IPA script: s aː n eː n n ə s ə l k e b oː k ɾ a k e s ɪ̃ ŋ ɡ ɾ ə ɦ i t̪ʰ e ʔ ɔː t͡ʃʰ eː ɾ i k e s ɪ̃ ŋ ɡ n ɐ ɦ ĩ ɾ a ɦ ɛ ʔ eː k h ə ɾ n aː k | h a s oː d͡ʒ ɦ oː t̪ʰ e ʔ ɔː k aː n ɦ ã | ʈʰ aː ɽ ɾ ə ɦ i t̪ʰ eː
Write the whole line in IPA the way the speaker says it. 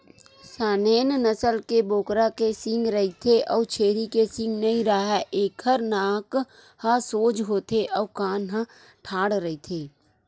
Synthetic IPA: s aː n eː n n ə s ə l k e b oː k ɾ a k e s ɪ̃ ŋ ɡ ɾ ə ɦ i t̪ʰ e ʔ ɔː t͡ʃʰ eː ɾ i k e s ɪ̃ ŋ ɡ n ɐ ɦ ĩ ɾ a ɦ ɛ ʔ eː k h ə ɾ n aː k | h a s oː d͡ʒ ɦ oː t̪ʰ e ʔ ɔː k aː n ɦ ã | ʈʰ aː ɽ ɾ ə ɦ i t̪ʰ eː